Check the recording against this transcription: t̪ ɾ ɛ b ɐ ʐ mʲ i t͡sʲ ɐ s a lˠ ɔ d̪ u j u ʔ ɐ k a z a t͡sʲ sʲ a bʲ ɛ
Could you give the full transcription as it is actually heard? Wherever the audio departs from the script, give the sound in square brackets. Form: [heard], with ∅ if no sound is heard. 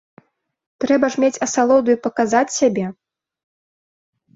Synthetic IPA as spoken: t̪ ɾ ɛ b ɐ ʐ mʲ [e] t͡sʲ ɐ s a lˠ ɔ d̪ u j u [p] ɐ k a z a t͡sʲ sʲ a bʲ ɛ